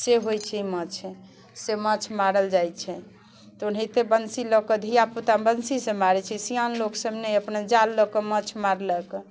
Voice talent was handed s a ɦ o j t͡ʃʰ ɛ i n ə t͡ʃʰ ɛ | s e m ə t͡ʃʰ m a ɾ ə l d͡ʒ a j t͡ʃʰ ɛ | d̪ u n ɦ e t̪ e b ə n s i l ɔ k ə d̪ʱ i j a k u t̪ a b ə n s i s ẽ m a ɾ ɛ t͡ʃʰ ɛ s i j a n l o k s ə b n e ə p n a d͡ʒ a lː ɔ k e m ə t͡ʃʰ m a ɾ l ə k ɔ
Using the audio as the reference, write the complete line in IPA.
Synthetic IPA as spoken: s e ɦ o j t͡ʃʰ ɛ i m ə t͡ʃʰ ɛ | s e m ə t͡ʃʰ m a ɾ ə l d͡ʒ a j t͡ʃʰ ɛ | t̪ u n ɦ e t̪ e b ə n s i l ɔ k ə d̪ʱ i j a p u t̪ a b ə n s i s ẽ m a ɾ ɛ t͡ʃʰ ɛ s i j a n l o k s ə b n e ə p n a d͡ʒ a lː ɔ k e m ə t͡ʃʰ m a ɾ l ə k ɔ